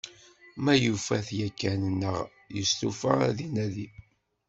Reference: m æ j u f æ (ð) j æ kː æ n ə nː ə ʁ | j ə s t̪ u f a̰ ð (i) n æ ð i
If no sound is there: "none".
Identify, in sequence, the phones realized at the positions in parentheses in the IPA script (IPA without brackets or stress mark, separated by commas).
θ, i